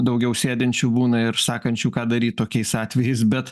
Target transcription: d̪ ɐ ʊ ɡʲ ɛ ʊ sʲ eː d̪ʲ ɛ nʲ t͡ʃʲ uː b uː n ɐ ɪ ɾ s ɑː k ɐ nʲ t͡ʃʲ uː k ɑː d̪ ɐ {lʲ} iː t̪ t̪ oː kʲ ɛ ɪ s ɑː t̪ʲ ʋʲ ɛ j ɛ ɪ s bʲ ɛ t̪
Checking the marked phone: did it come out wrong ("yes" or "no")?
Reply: yes